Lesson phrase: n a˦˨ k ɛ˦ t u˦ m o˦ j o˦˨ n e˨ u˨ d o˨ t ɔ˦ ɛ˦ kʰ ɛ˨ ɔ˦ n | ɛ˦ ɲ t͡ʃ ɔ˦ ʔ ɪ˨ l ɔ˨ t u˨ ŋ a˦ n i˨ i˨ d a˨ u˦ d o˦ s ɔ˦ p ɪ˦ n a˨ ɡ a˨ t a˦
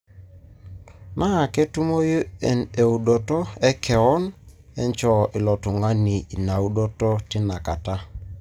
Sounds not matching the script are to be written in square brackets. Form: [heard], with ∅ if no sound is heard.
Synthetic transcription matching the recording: n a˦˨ k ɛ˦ t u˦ m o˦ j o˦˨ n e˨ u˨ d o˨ t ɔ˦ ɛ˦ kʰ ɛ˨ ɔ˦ n | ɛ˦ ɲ t͡ʃ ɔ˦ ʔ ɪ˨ l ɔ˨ t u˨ ŋ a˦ n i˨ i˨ [n] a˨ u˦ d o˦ [t] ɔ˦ [t] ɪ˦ n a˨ [k] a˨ t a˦

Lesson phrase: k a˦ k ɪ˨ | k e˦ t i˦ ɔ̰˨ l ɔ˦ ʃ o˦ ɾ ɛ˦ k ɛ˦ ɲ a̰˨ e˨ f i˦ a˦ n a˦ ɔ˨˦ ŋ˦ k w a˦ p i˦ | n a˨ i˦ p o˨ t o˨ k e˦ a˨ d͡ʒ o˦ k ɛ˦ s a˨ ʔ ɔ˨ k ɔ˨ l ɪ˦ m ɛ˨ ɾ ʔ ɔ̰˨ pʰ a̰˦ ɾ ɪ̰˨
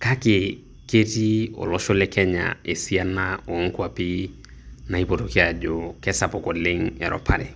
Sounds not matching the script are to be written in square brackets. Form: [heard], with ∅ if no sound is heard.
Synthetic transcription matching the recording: k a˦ k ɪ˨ | k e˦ t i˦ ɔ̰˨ l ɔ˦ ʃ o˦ [l] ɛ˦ k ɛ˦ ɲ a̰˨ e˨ [s] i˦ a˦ n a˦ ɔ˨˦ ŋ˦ k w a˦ p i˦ | n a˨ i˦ p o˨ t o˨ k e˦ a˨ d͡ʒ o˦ k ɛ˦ s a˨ [p] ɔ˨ k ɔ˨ l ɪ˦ [ŋ] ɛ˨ ɾ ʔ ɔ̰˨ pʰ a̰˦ ɾ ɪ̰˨

